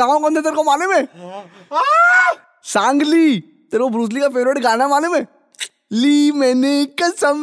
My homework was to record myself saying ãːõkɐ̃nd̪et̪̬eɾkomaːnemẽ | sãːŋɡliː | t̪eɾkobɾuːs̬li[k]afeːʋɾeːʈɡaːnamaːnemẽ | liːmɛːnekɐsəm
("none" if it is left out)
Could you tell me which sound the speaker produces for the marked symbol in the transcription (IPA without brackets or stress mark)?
k